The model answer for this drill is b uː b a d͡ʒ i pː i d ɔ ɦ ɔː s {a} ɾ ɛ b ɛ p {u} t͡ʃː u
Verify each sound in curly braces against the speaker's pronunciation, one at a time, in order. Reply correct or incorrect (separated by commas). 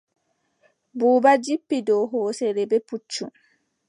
incorrect, correct